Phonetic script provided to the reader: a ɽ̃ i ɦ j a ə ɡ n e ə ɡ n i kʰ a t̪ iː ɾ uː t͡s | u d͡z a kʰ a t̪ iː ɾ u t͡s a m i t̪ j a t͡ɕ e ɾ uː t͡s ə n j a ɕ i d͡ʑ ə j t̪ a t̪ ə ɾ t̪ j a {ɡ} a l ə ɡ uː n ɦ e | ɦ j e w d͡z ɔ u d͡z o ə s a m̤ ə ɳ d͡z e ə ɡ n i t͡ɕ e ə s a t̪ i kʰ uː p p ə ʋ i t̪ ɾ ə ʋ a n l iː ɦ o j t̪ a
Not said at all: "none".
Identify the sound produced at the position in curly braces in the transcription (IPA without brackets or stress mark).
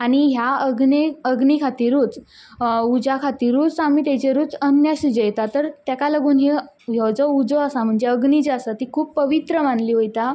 k